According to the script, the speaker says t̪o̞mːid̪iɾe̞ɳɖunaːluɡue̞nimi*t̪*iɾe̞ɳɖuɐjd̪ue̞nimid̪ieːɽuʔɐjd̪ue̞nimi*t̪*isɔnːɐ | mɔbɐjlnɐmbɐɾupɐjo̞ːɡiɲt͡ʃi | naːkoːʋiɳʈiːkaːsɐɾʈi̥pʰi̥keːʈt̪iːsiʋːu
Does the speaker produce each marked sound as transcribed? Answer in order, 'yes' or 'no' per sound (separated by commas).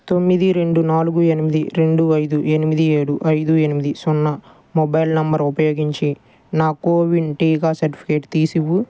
no, no